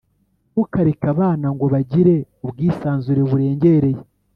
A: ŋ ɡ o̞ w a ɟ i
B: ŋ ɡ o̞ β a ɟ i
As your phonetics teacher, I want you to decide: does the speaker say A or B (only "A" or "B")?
B